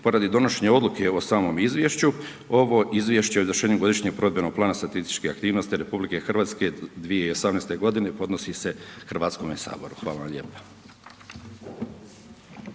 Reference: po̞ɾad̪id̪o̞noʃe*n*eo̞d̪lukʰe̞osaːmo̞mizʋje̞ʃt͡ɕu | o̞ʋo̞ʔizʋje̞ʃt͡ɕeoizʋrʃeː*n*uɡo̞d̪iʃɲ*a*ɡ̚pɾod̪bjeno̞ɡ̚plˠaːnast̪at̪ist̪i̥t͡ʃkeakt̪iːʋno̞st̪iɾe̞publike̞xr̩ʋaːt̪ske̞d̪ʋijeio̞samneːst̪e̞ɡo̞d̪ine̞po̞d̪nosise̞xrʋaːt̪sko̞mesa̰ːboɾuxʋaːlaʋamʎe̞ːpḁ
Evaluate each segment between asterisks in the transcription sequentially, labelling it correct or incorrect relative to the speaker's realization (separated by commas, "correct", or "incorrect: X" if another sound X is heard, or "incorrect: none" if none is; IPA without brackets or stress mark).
incorrect: ɲ, incorrect: ɲ, incorrect: e